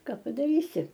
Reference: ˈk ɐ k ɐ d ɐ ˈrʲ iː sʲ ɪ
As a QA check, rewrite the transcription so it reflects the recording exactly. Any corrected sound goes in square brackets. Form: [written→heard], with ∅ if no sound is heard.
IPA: ˈk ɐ [k→p] ɐ d ɐ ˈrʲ iː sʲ ɪ